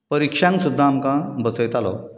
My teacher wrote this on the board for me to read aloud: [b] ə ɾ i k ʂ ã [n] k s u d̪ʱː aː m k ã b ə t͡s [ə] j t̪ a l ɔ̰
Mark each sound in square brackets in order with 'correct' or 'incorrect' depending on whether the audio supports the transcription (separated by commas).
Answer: incorrect, incorrect, correct